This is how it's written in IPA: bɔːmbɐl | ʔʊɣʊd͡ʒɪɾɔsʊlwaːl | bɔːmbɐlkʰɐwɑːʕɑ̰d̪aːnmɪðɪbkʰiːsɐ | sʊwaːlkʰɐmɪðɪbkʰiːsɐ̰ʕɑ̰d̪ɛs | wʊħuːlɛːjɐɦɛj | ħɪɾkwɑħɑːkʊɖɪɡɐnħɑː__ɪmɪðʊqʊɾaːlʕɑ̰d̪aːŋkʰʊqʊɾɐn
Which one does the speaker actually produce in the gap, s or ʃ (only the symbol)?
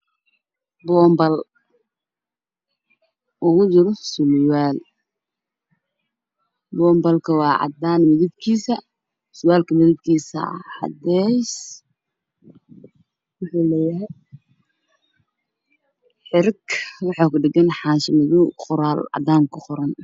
ʃ